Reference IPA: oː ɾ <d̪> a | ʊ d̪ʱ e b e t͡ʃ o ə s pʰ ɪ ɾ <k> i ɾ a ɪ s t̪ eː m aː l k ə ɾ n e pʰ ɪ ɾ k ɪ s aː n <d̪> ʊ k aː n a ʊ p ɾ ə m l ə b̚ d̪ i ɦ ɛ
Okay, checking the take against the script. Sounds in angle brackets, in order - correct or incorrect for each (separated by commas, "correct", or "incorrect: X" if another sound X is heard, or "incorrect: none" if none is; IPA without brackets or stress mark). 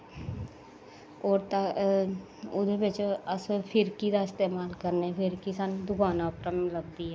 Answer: incorrect: t̪, correct, correct